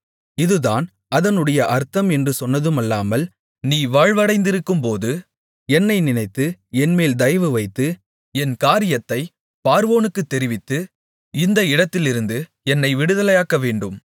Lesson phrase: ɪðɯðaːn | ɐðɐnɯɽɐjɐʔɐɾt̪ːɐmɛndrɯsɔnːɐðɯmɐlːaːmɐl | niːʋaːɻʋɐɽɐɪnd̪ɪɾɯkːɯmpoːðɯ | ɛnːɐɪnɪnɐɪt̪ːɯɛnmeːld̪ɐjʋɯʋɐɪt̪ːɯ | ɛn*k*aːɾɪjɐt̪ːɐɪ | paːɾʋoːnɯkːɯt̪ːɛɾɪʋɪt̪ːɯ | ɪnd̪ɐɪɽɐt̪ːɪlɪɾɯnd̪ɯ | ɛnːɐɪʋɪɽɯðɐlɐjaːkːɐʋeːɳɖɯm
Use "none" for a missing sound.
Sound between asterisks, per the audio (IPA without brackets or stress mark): k